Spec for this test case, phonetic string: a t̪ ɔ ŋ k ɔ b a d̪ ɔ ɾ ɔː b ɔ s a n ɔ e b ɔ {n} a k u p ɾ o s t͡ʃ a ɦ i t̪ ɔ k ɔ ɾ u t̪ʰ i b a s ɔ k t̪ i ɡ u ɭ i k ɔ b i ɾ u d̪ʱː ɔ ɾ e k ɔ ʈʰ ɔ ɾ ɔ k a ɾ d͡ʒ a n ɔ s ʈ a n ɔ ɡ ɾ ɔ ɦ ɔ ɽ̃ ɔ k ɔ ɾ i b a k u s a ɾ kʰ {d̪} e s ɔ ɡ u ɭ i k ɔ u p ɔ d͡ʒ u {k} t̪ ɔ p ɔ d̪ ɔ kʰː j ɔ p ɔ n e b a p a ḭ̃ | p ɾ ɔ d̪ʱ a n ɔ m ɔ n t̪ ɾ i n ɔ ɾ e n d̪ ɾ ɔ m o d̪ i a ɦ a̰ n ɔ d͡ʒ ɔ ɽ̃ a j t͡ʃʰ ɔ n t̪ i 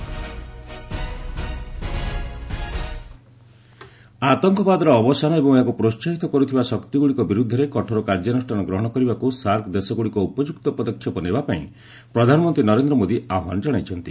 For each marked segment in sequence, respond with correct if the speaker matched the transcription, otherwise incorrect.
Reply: incorrect, correct, correct

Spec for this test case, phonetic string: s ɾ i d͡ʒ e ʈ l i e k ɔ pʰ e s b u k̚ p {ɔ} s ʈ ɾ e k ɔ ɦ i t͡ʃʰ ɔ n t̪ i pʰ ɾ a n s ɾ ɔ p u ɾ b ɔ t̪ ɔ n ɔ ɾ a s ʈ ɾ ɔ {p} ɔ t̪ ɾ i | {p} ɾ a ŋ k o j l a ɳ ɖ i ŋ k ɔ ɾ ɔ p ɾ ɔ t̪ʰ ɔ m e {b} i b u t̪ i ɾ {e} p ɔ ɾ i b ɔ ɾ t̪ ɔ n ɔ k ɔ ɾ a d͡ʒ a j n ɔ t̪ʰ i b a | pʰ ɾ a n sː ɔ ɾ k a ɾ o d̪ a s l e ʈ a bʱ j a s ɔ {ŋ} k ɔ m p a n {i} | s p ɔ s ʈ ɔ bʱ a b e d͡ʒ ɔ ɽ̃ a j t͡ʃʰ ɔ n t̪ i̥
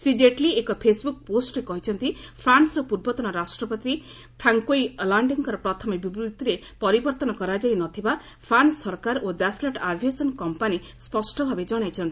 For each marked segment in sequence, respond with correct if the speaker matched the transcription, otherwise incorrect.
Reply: incorrect, correct, incorrect, correct, correct, incorrect, correct

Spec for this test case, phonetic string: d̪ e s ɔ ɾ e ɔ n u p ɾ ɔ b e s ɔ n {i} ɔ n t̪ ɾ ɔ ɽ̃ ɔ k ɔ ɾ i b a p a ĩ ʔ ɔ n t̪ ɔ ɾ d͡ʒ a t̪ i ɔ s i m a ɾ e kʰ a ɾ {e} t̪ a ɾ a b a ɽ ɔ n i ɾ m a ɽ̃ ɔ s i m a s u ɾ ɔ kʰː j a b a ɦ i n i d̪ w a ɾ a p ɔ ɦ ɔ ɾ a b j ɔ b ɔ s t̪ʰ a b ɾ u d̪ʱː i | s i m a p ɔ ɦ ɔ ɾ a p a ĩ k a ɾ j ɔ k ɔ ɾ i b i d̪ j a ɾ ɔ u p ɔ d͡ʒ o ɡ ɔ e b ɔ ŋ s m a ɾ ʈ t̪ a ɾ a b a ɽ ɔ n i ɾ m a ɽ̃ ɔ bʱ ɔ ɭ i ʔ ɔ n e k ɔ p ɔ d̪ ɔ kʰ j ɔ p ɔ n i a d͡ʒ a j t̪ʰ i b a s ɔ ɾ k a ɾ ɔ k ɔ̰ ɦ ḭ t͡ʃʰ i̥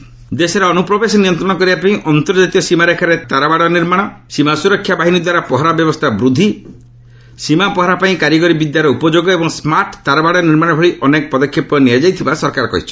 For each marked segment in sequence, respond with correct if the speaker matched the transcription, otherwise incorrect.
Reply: correct, correct

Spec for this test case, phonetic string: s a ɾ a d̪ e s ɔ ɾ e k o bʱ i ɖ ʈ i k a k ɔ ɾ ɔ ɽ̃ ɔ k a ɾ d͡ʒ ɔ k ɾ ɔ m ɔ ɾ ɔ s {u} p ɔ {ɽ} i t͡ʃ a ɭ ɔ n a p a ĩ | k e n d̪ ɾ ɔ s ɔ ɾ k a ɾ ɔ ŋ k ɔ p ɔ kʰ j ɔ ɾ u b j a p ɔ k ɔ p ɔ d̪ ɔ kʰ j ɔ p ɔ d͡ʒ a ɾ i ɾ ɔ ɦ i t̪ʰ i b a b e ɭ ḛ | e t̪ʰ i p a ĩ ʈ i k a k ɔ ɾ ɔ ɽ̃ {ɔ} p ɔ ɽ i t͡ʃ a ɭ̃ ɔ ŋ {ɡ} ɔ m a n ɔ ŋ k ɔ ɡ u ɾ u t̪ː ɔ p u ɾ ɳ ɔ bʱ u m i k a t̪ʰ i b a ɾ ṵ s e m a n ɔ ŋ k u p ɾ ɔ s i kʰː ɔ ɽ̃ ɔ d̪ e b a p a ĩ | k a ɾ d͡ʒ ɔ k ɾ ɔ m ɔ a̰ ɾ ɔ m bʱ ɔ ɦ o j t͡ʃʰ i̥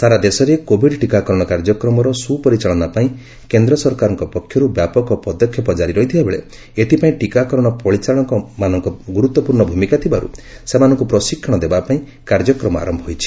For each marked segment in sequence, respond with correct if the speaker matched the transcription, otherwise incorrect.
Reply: correct, incorrect, correct, incorrect

